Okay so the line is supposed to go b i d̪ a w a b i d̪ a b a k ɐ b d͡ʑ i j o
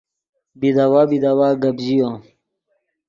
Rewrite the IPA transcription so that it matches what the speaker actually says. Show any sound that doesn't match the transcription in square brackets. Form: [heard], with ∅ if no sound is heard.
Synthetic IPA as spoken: b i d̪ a w a b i d̪ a [w] a [ɡ] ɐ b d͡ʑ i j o